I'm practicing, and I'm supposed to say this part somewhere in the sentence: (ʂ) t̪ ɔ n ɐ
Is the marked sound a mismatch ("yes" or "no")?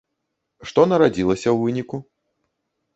no